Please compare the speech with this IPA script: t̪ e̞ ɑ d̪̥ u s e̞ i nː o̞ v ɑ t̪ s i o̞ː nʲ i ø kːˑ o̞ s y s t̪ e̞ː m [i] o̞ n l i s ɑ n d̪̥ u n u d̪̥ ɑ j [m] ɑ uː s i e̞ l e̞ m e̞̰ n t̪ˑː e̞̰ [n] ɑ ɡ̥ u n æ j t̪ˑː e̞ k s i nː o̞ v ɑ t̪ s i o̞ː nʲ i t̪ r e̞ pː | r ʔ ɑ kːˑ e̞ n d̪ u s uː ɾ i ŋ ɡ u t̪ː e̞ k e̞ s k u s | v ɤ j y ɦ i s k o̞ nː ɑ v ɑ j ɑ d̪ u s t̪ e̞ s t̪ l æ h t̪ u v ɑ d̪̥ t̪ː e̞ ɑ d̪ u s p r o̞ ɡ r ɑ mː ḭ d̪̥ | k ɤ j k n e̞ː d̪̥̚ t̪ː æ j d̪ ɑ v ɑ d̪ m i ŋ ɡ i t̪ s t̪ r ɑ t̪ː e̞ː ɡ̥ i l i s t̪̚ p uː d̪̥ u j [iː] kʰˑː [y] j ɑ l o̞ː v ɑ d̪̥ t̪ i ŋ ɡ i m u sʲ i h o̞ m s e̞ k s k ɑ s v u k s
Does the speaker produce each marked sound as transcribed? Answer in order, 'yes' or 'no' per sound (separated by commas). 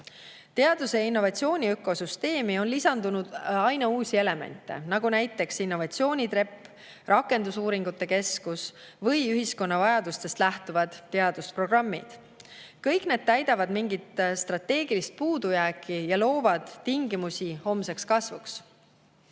yes, no, yes, no, no